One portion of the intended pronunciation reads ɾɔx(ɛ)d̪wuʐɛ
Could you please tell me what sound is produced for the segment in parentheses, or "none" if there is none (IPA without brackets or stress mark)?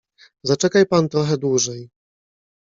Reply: ɛ